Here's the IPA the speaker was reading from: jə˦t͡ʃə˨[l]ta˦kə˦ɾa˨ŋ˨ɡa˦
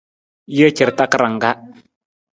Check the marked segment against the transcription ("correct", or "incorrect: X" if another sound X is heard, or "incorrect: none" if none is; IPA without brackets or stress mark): incorrect: ɾ